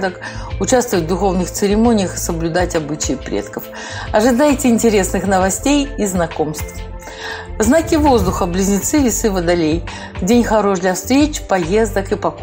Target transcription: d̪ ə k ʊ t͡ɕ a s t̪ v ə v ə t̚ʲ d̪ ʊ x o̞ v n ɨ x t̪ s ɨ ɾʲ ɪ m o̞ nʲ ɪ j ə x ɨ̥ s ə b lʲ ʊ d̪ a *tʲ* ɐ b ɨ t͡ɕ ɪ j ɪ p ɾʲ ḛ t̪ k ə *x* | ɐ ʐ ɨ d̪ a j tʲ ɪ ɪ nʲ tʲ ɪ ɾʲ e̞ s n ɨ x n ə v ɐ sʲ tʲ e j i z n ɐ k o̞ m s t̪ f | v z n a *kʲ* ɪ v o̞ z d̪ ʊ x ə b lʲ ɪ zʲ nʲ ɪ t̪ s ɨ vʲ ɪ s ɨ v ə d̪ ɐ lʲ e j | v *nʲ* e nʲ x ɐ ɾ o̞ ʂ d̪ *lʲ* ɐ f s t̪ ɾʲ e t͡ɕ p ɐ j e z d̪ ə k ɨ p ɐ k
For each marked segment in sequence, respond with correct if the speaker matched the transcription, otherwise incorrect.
correct, incorrect: f, correct, incorrect: dʲ, correct

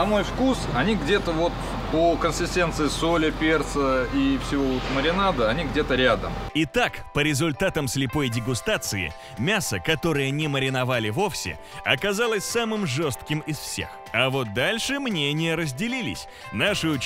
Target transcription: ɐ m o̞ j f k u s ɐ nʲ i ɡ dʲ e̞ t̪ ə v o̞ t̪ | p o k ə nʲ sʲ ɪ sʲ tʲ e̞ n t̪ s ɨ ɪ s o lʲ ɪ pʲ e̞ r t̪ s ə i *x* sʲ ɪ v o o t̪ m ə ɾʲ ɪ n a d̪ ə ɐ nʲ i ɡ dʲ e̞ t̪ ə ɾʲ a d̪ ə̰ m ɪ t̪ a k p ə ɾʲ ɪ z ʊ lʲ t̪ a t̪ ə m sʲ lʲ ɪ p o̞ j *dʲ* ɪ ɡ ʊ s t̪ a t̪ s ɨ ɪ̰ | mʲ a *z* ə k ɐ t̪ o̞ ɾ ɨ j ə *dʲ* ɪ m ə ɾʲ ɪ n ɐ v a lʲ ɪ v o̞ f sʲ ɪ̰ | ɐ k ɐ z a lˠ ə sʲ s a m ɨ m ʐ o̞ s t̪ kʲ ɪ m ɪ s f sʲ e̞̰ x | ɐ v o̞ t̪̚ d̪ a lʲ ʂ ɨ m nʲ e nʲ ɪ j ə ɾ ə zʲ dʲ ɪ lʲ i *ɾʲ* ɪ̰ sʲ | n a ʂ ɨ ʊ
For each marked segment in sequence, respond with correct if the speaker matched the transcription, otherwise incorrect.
incorrect: f, correct, incorrect: s, incorrect: nʲ, incorrect: lʲ

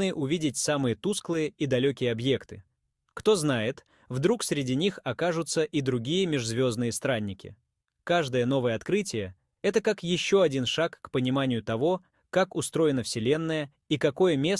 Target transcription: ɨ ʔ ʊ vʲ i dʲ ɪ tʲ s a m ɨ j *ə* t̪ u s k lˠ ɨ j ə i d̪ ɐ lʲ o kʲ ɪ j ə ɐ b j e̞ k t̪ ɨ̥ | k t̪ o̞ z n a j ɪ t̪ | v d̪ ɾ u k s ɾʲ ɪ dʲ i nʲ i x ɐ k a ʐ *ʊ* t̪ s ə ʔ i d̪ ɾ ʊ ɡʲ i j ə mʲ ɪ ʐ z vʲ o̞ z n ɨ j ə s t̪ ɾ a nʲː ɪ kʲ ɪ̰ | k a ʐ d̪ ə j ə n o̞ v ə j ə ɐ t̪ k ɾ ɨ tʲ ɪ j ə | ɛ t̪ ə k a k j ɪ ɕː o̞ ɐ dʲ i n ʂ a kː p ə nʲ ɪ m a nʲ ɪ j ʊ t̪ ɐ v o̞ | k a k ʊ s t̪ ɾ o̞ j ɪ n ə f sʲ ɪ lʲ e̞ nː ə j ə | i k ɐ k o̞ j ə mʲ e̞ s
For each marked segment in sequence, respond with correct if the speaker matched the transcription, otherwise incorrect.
correct, correct

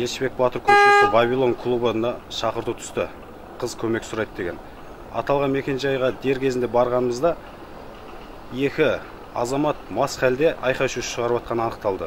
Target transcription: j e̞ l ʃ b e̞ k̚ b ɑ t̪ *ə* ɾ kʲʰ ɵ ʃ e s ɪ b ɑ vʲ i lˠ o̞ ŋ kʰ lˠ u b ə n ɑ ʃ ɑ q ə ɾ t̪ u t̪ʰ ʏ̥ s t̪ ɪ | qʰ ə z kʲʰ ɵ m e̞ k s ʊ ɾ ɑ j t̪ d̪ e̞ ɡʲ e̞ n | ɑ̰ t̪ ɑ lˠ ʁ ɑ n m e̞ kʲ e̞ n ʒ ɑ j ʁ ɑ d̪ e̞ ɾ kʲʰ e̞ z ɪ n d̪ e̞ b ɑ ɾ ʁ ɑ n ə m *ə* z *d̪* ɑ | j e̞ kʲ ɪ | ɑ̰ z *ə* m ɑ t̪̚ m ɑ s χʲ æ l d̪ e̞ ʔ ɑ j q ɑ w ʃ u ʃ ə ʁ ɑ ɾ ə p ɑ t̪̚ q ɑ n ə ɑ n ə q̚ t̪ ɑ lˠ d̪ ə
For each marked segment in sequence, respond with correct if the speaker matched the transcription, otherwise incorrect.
correct, correct, correct, incorrect: ɑ

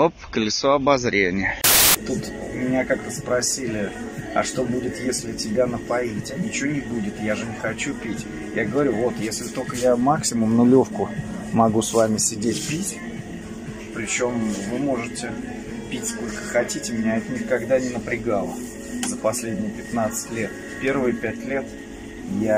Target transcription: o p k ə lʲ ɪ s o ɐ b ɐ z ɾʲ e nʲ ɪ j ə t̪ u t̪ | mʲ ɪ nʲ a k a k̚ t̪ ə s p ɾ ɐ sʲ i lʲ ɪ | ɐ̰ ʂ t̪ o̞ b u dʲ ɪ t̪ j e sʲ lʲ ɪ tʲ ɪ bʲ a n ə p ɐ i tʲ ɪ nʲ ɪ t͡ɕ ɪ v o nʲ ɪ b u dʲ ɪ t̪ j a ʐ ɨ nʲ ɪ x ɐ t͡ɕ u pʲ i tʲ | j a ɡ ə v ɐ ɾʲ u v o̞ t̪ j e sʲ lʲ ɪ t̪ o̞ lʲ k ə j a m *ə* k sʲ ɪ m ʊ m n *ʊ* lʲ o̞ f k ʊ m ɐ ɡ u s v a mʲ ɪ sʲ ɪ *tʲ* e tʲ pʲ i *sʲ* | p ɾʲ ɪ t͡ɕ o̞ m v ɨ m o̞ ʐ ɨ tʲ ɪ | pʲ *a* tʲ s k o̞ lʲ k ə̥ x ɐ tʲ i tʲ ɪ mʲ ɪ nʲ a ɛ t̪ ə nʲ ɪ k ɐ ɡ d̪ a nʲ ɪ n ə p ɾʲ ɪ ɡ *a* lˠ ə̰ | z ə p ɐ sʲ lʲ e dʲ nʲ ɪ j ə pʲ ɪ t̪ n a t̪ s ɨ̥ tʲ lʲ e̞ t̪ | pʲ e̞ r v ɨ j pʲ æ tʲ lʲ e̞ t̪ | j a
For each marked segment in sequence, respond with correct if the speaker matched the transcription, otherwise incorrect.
incorrect: a, correct, incorrect: dʲ, incorrect: tʲ, incorrect: i, correct

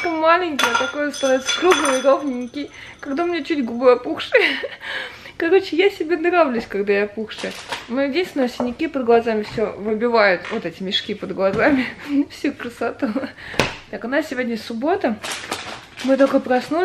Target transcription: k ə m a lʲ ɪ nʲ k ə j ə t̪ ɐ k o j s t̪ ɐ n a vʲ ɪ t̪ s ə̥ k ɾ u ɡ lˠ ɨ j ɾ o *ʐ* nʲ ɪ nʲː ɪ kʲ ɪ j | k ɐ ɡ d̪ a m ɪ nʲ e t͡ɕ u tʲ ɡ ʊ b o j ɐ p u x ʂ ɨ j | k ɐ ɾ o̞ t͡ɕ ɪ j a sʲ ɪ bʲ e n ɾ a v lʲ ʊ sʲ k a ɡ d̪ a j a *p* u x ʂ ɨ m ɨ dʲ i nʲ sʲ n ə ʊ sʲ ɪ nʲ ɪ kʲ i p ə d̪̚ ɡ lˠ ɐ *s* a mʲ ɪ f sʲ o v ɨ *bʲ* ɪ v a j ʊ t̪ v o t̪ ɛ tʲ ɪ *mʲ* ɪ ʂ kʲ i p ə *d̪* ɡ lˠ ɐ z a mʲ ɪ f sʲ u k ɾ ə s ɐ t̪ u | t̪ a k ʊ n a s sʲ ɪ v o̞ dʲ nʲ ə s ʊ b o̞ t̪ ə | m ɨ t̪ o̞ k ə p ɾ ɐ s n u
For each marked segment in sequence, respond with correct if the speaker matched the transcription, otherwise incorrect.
incorrect: v, correct, incorrect: z, correct, correct, correct

